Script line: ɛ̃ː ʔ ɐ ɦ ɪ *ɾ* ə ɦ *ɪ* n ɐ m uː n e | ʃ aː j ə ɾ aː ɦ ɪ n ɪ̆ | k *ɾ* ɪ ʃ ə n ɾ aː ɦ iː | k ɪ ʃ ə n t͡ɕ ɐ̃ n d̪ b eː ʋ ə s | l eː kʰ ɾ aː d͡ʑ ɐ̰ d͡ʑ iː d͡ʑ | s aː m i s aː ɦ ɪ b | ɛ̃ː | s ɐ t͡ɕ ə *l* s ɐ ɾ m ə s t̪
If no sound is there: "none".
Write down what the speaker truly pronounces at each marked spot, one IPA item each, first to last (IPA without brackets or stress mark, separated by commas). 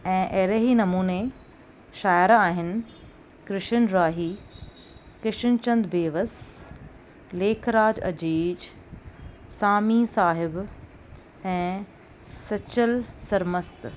ɾ, i, ɾ, l